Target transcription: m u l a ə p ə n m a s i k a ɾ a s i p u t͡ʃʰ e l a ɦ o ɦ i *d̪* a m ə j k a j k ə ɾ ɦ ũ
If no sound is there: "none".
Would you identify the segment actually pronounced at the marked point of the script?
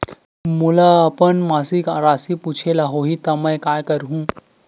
t̪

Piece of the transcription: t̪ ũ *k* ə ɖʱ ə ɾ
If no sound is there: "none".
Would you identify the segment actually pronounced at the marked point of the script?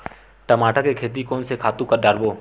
k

